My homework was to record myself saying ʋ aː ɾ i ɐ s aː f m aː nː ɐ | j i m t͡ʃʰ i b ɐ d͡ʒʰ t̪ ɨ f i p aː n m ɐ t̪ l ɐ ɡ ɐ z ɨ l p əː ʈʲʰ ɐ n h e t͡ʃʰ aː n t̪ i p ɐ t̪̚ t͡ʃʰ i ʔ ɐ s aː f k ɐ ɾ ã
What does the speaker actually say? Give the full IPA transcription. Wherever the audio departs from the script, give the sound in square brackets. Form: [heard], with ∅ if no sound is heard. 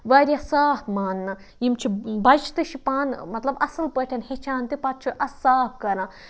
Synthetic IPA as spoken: ʋ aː ɾ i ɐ s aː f m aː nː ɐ | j i m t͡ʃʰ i b ɐ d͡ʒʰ t̪ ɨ [ʃ] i p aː n m ɐ t̪ l ɐ [b] ɐ [s] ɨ l p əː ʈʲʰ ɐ n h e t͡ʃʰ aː n t̪ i p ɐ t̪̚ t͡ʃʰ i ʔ ɐ s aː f k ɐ ɾ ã